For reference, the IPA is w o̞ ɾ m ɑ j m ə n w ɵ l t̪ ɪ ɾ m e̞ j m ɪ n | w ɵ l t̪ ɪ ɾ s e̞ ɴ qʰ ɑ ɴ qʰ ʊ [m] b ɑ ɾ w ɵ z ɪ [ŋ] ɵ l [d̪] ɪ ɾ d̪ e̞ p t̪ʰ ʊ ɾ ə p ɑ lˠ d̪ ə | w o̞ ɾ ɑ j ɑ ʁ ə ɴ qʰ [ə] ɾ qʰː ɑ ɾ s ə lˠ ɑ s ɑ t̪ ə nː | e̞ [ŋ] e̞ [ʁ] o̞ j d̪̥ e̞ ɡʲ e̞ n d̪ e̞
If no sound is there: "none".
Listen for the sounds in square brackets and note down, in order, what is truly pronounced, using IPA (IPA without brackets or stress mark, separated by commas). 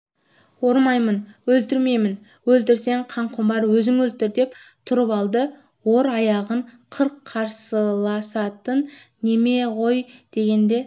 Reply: m, ŋ, t̪, ə, m, ʁ